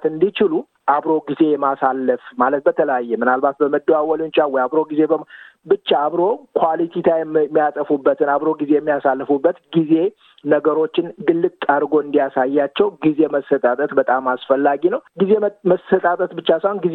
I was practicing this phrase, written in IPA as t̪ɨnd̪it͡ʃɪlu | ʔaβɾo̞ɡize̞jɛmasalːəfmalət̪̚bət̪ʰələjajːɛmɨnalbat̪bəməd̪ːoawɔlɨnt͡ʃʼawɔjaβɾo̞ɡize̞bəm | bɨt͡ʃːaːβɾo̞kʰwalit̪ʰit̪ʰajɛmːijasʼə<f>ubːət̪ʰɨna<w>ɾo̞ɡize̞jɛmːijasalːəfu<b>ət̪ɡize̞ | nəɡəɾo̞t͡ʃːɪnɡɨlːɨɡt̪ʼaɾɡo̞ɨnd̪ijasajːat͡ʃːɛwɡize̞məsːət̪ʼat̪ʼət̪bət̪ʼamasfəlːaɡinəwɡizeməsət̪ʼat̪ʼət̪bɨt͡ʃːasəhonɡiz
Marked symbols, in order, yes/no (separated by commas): yes, no, no